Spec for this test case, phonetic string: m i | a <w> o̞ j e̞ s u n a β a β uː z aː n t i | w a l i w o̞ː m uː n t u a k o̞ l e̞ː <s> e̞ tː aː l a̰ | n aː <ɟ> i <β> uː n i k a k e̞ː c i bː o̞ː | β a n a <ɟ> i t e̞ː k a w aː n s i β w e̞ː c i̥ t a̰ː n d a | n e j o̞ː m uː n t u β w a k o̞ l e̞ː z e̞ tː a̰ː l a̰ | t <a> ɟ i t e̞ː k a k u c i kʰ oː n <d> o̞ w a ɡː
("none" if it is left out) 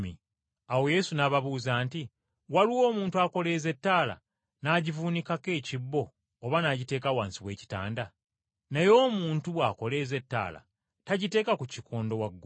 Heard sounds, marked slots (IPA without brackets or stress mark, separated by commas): w, z, ɟ, v, ɟ, a, d